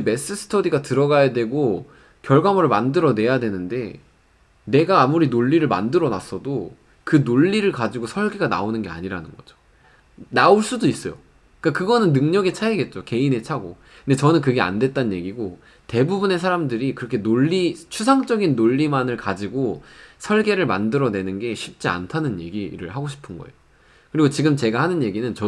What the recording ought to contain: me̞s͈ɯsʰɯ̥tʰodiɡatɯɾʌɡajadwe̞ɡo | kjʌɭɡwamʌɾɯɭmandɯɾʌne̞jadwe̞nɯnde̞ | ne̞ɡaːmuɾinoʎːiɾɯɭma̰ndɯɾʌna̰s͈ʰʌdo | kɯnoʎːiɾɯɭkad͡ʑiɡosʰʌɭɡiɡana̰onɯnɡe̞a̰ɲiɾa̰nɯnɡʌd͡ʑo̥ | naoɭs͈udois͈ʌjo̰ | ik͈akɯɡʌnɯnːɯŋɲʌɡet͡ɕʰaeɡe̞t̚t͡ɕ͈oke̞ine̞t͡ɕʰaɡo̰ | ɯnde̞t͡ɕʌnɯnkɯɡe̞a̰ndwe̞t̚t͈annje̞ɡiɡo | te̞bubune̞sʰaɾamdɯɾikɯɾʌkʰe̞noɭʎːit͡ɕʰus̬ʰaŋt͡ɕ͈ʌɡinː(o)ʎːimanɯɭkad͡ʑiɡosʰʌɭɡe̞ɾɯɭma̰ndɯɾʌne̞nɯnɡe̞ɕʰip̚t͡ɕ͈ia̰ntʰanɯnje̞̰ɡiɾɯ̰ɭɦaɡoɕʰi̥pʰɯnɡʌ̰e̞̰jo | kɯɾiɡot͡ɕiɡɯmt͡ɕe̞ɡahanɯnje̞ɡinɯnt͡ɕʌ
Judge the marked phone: correct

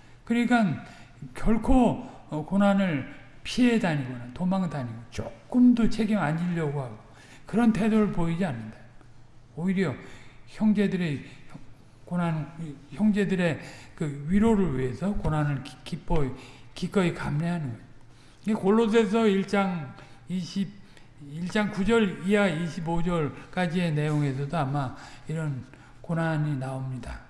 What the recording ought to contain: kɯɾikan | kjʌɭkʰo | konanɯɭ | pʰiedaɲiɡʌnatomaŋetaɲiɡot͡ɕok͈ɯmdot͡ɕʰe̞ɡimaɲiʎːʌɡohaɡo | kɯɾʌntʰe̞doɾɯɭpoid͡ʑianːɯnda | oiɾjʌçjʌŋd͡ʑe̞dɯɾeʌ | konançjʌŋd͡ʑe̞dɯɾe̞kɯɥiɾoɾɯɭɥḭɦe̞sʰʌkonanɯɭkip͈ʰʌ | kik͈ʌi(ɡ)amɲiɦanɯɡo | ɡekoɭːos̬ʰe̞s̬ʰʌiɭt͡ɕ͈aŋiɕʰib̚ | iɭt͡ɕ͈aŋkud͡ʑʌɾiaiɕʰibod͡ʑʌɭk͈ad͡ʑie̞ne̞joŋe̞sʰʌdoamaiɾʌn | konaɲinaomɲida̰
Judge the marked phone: incorrect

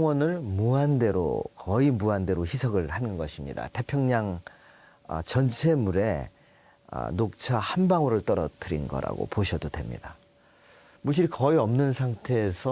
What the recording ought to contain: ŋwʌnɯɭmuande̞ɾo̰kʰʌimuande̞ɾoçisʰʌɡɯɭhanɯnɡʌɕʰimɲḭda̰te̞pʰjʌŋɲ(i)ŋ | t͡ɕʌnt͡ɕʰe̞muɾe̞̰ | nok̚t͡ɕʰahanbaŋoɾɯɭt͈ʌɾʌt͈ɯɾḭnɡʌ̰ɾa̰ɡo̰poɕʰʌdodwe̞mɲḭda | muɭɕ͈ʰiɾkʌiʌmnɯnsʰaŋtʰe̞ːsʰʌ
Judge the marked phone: incorrect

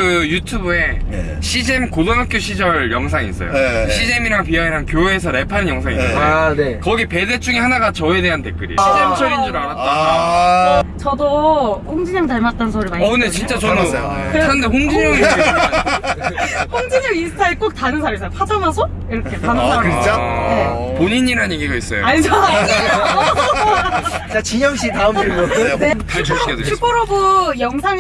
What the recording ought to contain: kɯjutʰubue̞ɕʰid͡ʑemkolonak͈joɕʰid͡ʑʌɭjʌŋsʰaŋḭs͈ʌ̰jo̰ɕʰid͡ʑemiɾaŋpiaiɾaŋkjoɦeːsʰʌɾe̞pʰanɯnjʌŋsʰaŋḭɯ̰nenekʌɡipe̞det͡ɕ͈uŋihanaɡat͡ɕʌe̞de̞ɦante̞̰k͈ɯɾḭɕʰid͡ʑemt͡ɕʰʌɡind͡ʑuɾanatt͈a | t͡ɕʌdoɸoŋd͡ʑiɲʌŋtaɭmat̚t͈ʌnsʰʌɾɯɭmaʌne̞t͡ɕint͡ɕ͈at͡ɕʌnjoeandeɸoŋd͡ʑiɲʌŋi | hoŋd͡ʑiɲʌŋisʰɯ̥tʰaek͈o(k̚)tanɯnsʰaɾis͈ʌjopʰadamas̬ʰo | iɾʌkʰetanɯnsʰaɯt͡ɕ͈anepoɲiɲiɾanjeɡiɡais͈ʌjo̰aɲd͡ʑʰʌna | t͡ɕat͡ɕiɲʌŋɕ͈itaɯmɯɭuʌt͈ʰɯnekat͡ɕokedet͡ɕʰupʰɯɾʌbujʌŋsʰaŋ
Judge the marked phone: correct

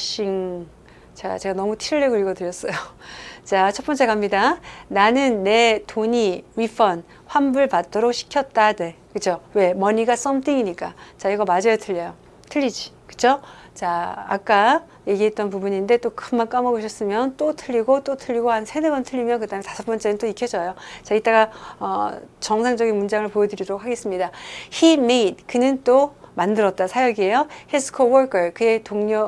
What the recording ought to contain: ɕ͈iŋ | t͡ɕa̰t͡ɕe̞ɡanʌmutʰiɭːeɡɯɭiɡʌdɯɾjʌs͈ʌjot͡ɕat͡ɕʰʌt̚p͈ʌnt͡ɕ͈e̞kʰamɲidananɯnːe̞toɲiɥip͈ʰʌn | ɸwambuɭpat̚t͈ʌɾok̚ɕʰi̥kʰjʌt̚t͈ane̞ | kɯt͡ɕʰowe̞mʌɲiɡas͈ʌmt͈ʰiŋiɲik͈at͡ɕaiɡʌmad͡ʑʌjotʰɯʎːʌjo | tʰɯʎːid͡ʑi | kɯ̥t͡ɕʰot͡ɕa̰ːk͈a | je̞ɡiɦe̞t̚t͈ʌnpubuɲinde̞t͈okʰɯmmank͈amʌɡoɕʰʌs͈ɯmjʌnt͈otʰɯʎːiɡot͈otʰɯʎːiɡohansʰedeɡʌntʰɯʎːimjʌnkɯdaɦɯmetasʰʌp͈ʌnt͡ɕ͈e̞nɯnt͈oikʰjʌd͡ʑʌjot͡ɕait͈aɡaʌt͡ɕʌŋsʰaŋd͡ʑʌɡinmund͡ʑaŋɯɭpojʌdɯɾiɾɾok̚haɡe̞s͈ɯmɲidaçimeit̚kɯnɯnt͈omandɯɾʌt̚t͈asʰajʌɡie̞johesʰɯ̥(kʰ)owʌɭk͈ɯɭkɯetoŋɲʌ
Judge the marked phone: correct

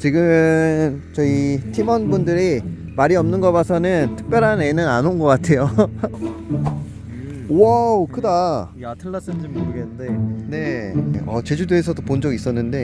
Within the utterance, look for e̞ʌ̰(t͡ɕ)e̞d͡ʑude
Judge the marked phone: correct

